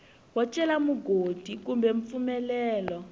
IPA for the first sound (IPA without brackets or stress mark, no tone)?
w